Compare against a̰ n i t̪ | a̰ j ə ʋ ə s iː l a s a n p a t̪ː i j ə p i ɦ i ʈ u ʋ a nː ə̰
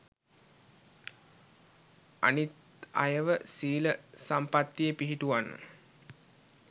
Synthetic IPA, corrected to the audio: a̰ n i t̪ | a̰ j ə ʋ ə s iː l ə s a m p a t̪ː i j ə p i ɦ i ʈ u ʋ a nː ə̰